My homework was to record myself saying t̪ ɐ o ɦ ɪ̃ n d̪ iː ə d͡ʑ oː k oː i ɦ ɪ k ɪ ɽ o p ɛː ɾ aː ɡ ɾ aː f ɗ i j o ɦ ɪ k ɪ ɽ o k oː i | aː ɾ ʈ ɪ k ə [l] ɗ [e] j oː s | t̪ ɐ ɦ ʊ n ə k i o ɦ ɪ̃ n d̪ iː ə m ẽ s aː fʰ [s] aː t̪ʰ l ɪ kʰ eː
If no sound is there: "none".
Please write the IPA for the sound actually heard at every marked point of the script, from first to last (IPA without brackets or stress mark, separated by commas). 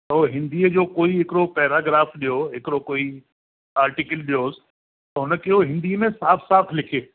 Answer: l, i, s